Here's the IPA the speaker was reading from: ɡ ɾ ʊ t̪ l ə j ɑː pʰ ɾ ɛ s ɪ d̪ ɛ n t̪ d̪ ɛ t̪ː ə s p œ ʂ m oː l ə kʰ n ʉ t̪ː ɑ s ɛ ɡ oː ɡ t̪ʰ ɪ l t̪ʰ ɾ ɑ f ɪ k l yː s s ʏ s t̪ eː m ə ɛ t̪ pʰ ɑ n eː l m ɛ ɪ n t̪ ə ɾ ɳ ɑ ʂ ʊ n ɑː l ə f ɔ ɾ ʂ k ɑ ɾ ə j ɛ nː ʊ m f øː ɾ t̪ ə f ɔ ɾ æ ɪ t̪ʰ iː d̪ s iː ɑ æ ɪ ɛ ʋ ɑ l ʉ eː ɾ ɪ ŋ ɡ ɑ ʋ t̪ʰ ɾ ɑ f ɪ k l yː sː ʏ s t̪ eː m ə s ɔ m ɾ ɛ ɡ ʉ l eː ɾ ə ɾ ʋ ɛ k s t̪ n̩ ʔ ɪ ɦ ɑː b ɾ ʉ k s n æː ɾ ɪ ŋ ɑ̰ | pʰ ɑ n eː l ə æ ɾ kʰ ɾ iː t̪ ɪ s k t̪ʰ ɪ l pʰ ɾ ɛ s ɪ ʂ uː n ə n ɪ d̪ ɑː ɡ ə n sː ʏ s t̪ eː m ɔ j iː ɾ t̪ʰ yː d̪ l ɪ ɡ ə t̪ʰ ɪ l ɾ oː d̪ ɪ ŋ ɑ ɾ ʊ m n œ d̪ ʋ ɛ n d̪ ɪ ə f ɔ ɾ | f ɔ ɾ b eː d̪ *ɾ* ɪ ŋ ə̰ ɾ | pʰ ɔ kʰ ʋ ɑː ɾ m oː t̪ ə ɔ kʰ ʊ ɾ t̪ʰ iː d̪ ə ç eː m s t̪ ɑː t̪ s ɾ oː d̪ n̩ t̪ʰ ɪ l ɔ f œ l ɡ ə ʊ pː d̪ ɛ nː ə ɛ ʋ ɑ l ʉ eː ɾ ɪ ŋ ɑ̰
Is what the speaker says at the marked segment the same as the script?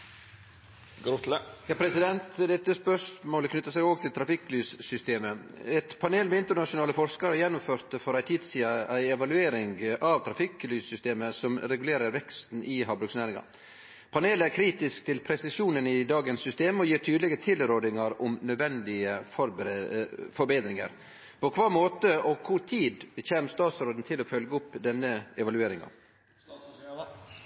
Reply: yes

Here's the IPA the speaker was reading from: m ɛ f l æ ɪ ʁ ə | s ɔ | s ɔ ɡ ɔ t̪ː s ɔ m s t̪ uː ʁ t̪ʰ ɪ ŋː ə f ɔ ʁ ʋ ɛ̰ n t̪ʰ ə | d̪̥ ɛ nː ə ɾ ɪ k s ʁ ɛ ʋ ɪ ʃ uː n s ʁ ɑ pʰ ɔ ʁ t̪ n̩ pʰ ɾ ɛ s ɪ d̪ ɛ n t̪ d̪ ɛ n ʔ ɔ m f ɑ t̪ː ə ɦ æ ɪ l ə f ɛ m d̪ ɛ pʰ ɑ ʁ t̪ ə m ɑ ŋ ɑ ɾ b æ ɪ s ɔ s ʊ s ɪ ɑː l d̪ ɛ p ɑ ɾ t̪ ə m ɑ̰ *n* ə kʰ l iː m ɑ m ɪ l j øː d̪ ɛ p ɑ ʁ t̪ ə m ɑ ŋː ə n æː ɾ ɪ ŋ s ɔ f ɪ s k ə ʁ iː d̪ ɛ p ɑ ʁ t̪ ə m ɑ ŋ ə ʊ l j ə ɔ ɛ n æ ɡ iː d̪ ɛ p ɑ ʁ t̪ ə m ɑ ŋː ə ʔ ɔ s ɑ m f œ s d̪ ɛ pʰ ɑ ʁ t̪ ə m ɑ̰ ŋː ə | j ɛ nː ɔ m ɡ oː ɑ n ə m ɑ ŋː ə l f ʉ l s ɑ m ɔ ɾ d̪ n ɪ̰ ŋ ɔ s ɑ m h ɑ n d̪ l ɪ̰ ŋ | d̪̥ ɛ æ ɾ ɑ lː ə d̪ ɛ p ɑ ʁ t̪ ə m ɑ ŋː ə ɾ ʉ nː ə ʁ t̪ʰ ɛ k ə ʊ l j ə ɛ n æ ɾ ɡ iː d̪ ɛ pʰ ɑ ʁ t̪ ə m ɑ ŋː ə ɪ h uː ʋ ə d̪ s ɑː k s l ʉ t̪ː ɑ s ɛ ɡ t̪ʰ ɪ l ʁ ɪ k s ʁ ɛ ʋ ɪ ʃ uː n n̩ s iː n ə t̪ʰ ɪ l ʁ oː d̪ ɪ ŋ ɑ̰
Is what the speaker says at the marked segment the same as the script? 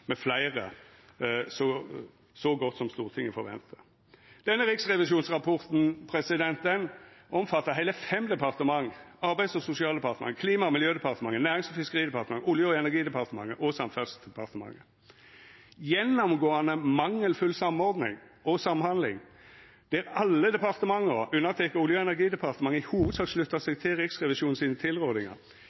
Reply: no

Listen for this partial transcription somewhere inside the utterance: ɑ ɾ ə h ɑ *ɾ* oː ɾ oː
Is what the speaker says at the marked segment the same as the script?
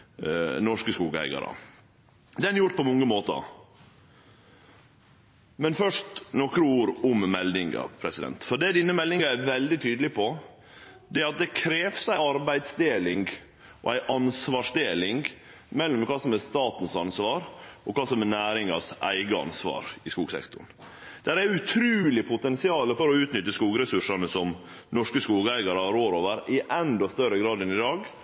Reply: yes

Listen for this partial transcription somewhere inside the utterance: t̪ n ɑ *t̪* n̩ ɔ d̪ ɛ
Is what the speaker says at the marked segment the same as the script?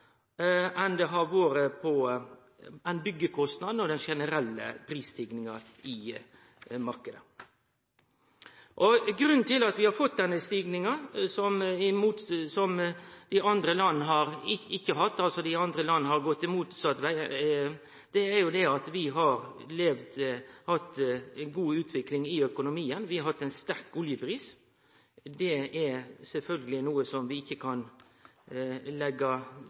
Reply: no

